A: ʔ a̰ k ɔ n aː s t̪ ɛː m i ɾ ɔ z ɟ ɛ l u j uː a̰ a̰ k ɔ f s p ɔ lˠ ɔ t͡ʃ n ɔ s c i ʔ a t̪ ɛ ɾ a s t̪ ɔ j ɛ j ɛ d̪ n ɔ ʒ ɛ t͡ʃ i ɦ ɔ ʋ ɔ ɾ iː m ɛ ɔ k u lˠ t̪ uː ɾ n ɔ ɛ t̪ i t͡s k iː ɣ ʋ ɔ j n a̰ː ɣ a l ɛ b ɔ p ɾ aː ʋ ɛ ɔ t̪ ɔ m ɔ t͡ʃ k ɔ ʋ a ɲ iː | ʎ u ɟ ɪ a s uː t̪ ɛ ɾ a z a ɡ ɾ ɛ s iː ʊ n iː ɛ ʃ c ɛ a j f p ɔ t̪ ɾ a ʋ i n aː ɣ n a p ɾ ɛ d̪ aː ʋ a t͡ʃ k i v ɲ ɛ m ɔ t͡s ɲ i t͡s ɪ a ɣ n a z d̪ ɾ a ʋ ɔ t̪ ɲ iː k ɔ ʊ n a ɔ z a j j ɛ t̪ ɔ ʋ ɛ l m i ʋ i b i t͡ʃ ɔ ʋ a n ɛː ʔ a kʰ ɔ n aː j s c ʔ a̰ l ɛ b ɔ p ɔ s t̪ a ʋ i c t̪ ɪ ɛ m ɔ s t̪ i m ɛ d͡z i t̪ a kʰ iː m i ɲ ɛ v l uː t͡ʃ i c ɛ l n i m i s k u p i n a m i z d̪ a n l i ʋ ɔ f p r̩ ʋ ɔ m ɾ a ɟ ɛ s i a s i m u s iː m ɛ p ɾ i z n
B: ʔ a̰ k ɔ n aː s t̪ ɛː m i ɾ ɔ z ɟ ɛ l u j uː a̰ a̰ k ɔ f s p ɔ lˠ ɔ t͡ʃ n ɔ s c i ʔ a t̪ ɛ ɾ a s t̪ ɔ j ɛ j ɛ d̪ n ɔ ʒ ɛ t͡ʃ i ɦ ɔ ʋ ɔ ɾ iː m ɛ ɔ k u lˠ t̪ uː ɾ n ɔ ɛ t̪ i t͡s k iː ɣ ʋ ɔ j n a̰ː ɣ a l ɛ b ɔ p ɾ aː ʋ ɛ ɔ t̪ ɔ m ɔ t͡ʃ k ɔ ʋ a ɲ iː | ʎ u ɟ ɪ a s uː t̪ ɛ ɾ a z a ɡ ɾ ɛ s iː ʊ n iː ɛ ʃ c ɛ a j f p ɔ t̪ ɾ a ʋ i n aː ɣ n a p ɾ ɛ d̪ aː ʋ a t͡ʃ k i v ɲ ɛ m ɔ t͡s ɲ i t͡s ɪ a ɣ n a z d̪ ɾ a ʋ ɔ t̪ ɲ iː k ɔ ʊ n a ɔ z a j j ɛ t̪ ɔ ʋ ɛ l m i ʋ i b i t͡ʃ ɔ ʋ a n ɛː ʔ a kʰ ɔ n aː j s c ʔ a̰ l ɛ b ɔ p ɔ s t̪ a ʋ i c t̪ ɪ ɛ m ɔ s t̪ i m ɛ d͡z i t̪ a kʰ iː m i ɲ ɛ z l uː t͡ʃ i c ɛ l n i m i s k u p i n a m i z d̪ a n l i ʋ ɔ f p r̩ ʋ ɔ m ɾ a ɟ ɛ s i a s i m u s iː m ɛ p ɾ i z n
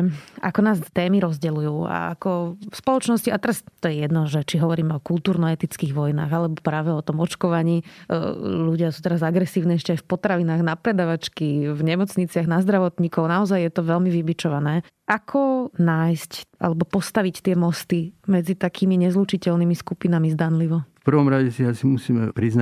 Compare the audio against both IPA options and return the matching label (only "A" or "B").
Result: B